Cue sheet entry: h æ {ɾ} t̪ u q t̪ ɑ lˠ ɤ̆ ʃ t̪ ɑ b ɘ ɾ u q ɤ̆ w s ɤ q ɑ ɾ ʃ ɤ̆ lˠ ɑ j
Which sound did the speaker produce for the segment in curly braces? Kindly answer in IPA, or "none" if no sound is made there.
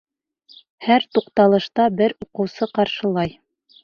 ɾ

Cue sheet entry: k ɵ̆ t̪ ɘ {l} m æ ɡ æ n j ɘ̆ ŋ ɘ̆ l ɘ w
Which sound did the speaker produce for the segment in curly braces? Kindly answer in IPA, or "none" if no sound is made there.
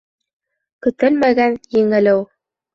l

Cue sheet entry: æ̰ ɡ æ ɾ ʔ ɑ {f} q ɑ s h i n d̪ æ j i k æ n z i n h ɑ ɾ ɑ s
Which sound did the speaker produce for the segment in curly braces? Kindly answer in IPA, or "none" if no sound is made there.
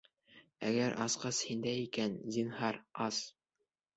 s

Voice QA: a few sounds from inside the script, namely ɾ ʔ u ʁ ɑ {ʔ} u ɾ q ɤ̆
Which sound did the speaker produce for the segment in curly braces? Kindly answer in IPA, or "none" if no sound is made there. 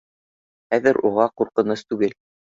q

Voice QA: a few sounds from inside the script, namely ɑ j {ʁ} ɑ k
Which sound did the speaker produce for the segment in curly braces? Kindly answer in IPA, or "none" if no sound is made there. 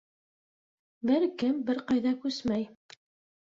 ð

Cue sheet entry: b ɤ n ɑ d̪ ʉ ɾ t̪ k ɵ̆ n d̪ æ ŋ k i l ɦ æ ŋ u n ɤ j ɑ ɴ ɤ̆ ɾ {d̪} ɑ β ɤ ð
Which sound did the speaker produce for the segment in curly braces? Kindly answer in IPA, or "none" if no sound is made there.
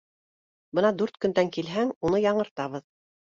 t̪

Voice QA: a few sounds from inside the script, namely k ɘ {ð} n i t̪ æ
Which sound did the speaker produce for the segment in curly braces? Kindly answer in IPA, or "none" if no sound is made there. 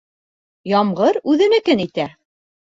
none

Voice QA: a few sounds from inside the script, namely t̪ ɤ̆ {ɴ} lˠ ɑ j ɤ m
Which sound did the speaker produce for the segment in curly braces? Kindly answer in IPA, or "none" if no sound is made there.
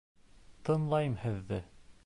n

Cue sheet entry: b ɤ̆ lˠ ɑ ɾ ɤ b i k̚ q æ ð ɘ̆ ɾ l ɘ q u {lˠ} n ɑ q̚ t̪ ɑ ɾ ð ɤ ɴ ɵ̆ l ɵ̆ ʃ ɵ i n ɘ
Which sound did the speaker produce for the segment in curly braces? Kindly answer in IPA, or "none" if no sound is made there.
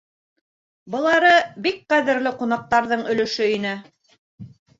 none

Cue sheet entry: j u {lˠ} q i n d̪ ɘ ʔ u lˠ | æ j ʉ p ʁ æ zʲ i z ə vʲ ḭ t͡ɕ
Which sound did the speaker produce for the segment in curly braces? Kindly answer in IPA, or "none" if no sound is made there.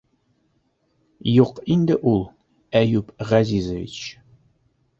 none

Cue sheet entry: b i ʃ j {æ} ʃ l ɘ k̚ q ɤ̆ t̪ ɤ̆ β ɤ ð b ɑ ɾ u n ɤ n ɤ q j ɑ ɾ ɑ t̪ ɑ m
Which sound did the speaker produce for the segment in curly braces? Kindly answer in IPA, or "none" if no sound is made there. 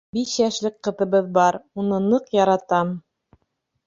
æ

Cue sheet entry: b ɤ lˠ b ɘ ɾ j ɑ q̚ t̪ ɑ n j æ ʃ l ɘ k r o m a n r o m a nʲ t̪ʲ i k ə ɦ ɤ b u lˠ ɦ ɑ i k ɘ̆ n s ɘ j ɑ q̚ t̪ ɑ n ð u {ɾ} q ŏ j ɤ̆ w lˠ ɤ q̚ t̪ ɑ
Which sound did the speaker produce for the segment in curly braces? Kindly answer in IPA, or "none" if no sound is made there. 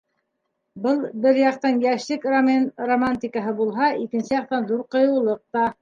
ɾ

